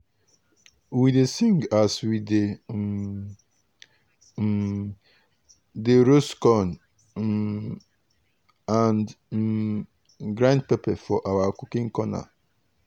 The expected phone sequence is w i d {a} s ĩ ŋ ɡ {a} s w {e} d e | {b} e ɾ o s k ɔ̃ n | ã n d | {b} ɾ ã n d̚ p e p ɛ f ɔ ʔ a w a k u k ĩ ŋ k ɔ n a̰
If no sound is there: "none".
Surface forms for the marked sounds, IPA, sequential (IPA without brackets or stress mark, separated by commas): e, a, i, d, ɡ